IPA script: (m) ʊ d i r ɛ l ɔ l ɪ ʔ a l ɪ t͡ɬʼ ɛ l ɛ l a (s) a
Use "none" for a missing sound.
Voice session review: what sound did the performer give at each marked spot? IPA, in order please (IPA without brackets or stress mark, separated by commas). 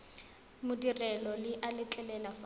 m, f